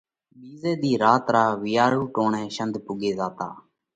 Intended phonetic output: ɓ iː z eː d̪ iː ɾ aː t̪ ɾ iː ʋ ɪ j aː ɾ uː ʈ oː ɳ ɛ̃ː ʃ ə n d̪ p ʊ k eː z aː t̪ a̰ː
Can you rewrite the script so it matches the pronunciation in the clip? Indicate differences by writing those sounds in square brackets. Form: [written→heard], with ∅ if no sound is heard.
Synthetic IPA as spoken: ɓ iː z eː d̪ iː ɾ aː t̪ ɾ [iː→aː] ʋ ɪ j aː ɾ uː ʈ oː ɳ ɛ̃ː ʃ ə n d̪ p ʊ [k→ɡ] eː z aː t̪ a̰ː